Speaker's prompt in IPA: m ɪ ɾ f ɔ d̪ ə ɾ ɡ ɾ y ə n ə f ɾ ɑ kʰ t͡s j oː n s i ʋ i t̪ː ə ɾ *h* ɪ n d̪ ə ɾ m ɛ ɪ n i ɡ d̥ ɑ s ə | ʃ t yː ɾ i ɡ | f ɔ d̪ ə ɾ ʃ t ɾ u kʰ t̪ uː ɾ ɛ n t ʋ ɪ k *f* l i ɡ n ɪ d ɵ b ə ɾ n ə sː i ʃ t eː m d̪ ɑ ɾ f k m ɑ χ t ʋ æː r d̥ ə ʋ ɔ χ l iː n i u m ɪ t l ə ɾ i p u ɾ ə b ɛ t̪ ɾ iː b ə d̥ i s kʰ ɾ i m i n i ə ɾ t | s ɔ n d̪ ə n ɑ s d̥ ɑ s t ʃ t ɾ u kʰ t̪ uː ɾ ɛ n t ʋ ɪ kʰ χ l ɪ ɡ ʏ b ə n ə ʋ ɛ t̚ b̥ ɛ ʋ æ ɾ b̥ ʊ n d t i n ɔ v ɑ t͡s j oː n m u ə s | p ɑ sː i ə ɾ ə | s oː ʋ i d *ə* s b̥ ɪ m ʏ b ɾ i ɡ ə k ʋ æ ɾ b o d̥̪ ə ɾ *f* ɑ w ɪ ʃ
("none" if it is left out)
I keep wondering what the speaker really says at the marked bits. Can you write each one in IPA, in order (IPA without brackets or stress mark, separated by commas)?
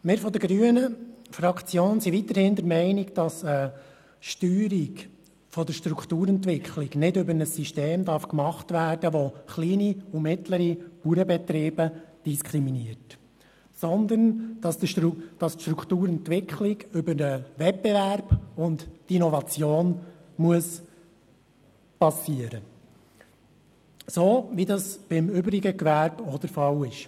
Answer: h, χ, ɑ, f